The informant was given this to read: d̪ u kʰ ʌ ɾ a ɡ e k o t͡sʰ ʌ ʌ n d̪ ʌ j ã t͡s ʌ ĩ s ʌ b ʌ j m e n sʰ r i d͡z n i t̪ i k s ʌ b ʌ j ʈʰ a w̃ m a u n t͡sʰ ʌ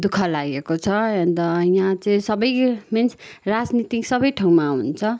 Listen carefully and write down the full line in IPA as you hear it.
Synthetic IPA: d̪ u kʰ ʌ l a ɡ e k o t͡sʰ ʌ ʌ n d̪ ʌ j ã t͡s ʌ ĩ s ʌ b ʌ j m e n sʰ r a d͡z n i t̪ i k s ʌ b ʌ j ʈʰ a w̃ m a u n t͡sʰ ʌ